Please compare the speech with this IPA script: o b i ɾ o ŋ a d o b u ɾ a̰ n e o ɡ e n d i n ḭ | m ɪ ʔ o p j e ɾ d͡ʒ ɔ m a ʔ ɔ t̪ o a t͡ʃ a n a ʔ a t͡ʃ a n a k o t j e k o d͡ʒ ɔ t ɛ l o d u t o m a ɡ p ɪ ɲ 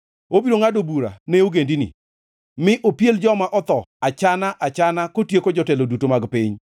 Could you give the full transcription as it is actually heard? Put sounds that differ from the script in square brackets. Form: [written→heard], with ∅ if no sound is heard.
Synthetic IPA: o b i ɾ o ŋ a d o b u ɾ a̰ n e o ɡ e n d i n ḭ | m ɪ ʔ o p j e [ɾ→l] d͡ʒ ɔ m a ʔ ɔ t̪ [o→ɔ] a t͡ʃ a n a ʔ a t͡ʃ a n a k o t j e k o d͡ʒ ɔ t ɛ l o d u t o m a ɡ p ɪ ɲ